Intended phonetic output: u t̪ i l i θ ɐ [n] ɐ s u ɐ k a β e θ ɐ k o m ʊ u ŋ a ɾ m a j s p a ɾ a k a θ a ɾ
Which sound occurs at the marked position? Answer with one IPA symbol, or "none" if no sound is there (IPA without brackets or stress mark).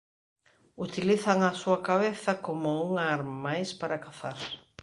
ŋ